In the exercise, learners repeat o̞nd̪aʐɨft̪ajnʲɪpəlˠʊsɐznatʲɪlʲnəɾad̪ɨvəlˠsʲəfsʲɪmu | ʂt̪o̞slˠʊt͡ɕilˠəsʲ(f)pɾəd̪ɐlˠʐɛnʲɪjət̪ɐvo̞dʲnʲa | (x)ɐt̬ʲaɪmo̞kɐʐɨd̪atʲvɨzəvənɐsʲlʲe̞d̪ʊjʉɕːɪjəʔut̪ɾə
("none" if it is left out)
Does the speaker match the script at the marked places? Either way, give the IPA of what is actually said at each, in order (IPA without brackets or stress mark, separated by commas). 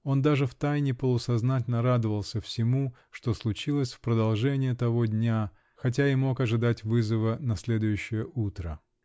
f, x